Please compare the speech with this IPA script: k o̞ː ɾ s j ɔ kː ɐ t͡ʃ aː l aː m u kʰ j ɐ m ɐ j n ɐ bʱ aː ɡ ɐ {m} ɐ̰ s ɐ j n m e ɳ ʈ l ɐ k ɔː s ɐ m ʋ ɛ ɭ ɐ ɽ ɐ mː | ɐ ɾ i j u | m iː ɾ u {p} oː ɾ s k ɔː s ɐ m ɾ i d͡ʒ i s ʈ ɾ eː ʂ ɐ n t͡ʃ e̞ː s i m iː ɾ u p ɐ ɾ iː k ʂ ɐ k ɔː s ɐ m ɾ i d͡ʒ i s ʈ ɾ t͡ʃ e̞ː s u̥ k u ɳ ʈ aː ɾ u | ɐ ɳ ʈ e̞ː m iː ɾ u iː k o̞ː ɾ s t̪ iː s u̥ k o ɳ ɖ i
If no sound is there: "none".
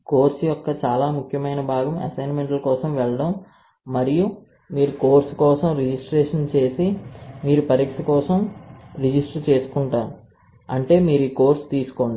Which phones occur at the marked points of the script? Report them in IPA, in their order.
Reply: m, k

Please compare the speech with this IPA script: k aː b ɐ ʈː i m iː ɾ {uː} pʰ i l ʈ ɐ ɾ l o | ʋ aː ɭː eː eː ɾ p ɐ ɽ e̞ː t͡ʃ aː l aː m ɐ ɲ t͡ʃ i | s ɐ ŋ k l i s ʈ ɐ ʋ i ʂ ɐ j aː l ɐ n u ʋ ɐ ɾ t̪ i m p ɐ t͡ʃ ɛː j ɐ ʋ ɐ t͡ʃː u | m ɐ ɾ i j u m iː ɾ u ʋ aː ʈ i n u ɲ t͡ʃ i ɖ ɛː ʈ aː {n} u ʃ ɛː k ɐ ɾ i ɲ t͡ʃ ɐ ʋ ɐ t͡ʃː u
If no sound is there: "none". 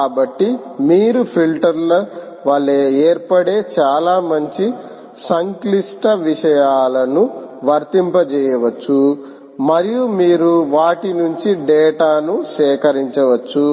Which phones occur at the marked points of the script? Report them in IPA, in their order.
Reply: u, n

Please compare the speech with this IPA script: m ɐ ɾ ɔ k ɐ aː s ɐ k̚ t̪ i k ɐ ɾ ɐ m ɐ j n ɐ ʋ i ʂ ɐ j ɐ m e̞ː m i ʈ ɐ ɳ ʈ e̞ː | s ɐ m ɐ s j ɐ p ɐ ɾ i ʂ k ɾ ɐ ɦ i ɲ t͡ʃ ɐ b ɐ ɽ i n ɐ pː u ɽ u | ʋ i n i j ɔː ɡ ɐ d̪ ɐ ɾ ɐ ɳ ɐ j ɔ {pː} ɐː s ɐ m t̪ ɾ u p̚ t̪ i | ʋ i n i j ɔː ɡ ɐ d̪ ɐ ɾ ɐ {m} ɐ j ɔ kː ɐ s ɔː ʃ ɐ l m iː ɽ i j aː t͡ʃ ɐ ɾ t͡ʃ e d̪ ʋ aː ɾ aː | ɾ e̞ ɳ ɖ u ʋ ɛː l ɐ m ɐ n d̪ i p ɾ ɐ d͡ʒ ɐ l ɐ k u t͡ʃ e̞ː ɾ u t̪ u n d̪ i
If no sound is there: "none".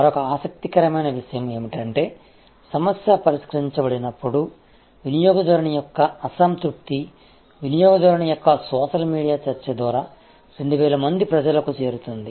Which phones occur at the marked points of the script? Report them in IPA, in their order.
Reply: kː, ɳ

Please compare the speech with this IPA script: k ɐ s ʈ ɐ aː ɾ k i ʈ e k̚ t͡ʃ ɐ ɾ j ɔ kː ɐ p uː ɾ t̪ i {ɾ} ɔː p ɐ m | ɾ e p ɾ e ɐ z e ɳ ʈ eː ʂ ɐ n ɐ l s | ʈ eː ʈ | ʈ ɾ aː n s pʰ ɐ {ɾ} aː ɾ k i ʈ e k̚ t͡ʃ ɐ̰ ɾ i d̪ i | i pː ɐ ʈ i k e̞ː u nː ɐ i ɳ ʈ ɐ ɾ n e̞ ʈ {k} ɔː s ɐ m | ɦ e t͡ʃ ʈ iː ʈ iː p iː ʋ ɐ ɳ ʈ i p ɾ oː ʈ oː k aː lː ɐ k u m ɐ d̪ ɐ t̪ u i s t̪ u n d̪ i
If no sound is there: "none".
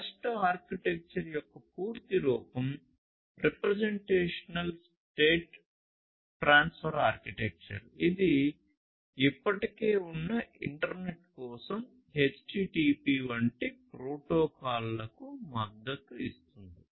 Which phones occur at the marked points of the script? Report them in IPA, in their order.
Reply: ɾ, ɾ, k

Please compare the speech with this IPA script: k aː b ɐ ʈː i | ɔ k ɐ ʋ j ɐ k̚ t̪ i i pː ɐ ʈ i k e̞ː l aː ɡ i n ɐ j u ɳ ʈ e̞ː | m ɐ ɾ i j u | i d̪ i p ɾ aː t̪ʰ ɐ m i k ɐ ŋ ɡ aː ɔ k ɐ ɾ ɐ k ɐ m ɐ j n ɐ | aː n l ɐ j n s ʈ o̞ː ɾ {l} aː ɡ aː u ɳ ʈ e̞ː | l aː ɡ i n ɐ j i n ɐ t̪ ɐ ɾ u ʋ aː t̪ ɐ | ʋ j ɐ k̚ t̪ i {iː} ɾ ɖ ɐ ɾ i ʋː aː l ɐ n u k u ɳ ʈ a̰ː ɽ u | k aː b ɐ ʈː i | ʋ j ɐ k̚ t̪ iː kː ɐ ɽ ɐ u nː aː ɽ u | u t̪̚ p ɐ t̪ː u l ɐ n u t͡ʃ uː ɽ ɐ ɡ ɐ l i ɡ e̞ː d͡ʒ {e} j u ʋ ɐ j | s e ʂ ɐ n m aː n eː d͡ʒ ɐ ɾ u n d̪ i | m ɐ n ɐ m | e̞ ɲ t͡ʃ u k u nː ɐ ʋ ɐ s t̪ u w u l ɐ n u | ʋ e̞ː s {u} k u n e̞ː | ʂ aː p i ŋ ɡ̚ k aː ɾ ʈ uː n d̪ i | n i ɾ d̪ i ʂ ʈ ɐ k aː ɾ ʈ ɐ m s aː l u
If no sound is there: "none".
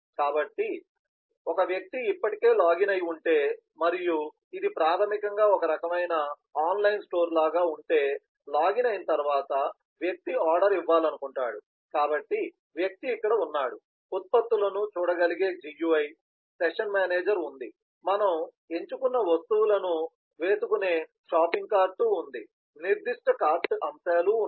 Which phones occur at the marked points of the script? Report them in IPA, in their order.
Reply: l, aː, i, u

